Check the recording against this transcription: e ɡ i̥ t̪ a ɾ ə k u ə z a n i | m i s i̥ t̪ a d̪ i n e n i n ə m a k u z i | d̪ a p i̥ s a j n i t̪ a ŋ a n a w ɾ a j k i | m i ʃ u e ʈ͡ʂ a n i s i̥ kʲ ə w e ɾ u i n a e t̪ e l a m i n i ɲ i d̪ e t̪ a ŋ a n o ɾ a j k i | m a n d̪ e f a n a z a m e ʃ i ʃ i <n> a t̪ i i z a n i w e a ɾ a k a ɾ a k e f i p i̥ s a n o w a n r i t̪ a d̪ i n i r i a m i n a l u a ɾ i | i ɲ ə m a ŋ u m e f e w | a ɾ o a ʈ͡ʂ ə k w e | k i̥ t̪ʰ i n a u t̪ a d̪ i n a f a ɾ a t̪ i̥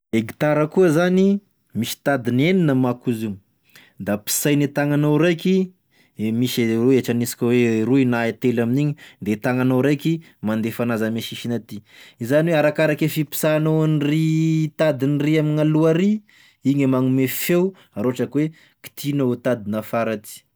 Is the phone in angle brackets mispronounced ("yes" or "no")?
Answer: no